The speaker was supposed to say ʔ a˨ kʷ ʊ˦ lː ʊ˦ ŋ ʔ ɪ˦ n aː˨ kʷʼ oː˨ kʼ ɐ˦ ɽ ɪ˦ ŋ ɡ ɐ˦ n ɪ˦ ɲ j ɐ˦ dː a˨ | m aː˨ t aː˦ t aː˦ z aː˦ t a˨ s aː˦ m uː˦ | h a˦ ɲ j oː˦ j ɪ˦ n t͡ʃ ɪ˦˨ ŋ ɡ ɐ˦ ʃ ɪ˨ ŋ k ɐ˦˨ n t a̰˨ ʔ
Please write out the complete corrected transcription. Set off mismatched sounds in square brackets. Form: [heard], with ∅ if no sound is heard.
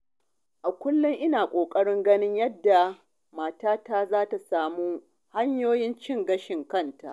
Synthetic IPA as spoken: ʔ a˨ kʷ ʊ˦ lː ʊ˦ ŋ ʔ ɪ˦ n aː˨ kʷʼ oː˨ kʼ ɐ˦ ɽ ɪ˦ ŋ ɡ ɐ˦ n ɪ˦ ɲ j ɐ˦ dː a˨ | m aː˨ t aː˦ t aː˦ z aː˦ t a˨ s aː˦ m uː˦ | h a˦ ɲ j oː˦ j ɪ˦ n t͡ʃ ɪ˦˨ ŋ ɡ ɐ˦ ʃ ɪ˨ ŋ k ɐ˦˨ n t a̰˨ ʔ